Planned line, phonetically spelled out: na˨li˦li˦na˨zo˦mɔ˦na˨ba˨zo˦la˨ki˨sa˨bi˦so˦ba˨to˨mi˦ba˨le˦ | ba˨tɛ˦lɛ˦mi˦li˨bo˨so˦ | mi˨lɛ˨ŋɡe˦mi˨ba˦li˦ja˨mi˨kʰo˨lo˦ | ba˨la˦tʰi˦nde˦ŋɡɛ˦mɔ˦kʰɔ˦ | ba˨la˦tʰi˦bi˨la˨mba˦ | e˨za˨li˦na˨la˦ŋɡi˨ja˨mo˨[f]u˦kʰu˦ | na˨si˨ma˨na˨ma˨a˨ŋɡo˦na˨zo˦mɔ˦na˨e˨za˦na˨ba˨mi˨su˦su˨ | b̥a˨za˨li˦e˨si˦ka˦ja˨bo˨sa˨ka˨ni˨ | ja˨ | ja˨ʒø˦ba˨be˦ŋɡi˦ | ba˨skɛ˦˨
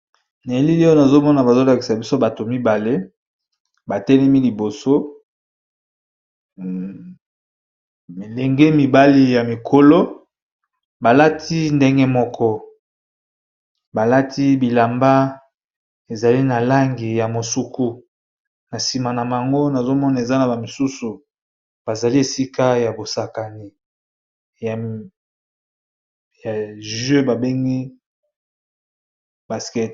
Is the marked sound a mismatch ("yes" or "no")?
yes